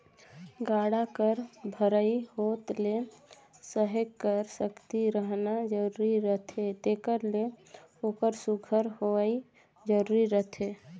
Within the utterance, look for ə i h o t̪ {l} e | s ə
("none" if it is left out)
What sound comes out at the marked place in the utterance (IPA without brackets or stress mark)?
l